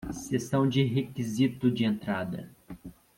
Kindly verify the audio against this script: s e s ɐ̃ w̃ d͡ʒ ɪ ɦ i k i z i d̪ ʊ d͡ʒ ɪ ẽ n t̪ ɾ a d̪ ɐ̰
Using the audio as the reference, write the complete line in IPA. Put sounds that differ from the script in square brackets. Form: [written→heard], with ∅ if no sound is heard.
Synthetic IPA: s e s ɐ̃ w̃ d͡ʒ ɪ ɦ [i→e] k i z i [d̪→t̪] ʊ d͡ʒ ɪ ẽ n t̪ ɾ a d̪ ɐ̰